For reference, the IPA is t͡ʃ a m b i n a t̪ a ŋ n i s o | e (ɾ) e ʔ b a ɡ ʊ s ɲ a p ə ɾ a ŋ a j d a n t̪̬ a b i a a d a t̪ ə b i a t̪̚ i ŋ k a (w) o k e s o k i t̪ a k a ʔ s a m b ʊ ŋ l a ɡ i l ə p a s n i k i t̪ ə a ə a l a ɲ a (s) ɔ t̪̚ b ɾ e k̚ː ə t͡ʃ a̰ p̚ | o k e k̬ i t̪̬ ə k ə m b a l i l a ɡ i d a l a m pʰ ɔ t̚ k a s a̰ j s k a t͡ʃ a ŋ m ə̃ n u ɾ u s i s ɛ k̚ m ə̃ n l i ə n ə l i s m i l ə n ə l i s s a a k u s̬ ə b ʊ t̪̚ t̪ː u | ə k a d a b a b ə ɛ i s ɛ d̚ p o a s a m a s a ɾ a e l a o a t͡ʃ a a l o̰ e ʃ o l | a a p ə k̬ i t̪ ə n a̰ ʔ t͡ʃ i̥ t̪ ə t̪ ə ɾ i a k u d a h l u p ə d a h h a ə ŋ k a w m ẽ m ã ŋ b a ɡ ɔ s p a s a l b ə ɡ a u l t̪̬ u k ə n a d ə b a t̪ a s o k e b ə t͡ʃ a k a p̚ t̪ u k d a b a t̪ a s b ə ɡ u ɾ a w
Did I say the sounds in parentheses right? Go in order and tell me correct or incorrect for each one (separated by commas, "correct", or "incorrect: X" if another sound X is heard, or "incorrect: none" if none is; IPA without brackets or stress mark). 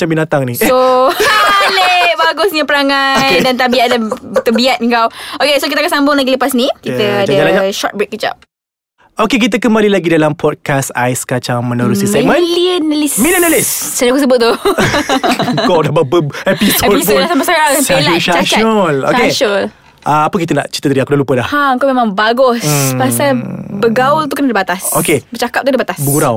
incorrect: l, correct, incorrect: ʃ